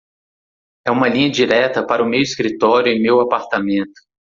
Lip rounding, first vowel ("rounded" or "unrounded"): unrounded